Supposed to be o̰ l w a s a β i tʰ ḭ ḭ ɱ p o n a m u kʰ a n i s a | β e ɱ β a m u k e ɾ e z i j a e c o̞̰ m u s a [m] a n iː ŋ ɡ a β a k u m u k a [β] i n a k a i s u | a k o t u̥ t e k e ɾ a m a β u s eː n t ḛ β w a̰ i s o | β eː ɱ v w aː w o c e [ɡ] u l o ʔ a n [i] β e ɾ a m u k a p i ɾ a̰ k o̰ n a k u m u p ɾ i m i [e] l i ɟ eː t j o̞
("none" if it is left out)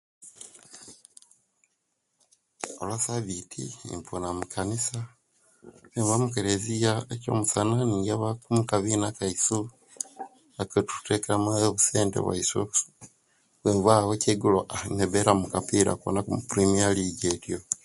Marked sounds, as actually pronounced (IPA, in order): n, β, ɡ, e, a

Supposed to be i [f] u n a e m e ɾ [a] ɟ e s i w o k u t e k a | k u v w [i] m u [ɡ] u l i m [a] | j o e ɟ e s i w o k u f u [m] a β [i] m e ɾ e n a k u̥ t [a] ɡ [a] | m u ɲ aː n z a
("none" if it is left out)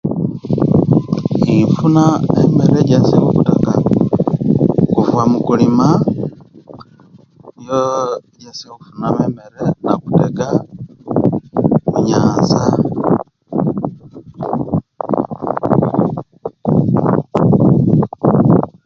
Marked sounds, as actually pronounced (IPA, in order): f, e, a, k, a, n, e, e, a

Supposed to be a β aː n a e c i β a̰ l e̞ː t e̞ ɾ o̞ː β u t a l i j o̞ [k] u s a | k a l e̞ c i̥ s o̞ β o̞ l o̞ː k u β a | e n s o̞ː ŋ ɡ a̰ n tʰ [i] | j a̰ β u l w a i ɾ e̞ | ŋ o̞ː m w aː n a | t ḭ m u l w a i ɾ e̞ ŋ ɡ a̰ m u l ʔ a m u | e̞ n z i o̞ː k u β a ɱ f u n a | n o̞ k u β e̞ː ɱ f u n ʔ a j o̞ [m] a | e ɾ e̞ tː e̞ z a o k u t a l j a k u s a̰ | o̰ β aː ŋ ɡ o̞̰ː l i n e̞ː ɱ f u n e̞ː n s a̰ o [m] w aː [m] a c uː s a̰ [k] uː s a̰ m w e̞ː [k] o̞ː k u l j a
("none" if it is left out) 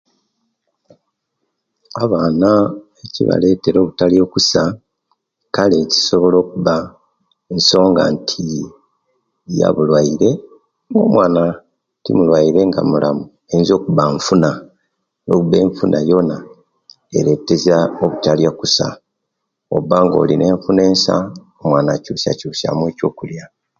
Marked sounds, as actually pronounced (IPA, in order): k, i, n, m, n, c, c

